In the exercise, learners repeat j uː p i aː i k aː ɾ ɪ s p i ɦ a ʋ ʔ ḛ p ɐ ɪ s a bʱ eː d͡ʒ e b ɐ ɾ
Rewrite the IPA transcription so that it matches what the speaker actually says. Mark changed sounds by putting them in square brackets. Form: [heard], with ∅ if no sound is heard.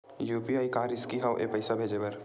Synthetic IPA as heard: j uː p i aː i k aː ɾ ɪ s [k] i ɦ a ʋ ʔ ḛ p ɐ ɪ s a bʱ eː d͡ʒ e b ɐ ɾ